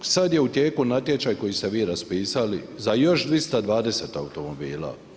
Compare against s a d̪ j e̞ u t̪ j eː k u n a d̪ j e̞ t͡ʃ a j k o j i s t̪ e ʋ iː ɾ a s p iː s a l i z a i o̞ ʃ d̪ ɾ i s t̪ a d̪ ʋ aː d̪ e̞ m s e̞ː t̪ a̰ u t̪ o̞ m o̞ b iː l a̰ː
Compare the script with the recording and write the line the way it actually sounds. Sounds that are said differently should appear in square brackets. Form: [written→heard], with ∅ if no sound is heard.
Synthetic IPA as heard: s a d̪ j e̞ u t̪ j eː k u n a [d̪→t̪] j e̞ t͡ʃ a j k o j i s t̪ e ʋ iː ɾ a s p iː s a l i z a [i→j] o̞ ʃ d̪ ɾ i s t̪ a d̪ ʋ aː d̪ e̞ [m→∅] s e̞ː t̪ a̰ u t̪ o̞ m o̞ b iː l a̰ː